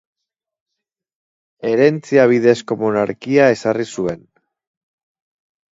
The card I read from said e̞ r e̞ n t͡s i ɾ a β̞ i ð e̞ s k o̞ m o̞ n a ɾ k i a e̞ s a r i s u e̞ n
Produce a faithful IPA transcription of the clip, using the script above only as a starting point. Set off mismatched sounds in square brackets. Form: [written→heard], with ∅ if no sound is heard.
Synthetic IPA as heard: e̞ [r→ɾ] e̞ n t͡s i [ɾ→∅] a β̞ i ð e̞ s k o̞ m o̞ n a ɾ k i a e̞ s a r i s u e̞ n